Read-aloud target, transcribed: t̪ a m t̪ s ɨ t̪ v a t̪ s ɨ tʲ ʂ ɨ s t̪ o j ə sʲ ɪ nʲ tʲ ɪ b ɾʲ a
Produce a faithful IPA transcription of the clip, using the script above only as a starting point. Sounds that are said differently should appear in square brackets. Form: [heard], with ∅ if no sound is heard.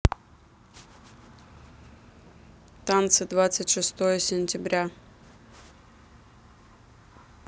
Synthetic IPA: t̪ a [n] t̪ s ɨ [d̪] v a t̪ s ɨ tʲ ʂ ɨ s t̪ o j ə sʲ ɪ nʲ tʲ ɪ b ɾʲ a

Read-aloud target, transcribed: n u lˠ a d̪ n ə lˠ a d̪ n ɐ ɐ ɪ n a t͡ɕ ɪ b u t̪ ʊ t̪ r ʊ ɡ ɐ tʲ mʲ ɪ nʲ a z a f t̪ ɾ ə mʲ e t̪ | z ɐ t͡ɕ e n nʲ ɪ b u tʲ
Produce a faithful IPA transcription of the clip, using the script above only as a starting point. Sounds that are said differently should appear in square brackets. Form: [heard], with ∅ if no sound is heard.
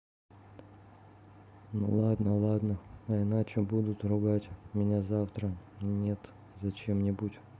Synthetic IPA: n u lˠ a d̪ n ə lˠ a d̪ n [ə] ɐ ɪ n a t͡ɕ ɪ b u [d̪] ʊ t̪ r ʊ ɡ [a] tʲ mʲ ɪ nʲ a z a f t̪ ɾ ə [nʲ] e t̪ | z ɐ t͡ɕ e [m] nʲ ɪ b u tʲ

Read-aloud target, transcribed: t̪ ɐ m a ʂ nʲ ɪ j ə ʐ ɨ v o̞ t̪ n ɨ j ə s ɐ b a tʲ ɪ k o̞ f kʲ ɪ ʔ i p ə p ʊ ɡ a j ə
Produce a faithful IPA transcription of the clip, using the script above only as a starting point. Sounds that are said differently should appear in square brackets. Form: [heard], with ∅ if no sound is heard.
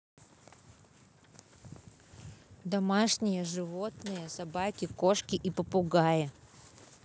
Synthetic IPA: [d̪] ɐ m a ʂ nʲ ɪ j ə ʐ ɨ v o̞ t̪ n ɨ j ə s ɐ b a [kʲ] ɪ k o̞ [ʂ] kʲ ɪ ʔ i p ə p ʊ ɡ a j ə

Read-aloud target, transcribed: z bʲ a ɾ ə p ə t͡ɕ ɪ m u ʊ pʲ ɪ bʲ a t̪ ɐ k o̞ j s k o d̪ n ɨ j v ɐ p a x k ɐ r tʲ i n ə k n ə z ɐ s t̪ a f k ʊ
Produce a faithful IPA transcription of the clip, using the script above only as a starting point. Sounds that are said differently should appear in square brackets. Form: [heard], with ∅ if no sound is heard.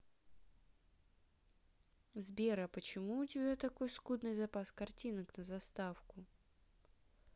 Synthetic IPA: z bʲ [e] ɾ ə p ə t͡ɕ ɪ m u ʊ [tʲ] ɪ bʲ a t̪ ɐ k o̞ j s k [u] d̪ n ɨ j [z] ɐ p a [s] k ɐ r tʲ i n ə k n ə z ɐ s t̪ a f k ʊ

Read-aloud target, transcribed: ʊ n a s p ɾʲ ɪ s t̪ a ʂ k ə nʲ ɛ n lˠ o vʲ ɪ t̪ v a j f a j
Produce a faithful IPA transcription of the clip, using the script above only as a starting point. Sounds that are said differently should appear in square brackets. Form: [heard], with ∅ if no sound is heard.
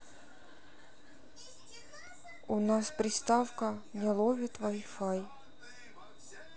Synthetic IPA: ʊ n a s p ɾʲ ɪ s t̪ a [f] k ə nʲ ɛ [∅] lˠ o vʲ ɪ t̪ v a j f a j

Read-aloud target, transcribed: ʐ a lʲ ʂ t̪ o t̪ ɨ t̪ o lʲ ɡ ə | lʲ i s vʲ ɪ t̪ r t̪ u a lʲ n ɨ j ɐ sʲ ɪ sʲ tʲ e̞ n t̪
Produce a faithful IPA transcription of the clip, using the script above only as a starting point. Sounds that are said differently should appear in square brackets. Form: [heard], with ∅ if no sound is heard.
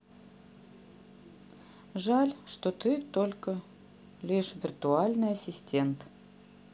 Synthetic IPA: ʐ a lʲ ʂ t̪ o t̪ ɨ t̪ o lʲ [k] ə | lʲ i [ʂ] vʲ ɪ [∅] r t̪ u a lʲ n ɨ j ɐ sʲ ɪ sʲ tʲ e̞ n t̪

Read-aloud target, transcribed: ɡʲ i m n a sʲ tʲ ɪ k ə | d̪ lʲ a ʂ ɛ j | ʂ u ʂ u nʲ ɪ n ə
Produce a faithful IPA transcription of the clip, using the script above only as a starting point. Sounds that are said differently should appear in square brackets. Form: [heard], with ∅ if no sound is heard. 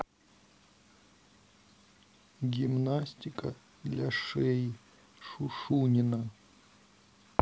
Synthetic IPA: ɡʲ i m n a sʲ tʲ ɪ k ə | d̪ lʲ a ʂ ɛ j | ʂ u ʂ u nʲ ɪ n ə

